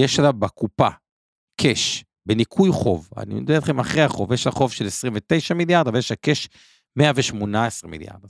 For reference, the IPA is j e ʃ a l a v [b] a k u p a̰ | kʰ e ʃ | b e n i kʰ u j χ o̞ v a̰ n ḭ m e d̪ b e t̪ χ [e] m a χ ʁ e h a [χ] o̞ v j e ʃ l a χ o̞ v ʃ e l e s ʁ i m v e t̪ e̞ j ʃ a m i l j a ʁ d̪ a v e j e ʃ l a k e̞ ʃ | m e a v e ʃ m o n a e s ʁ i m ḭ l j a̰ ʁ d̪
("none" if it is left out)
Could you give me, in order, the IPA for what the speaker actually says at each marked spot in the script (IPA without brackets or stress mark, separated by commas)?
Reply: b, e, χ